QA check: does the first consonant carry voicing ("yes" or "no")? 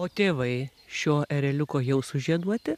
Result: no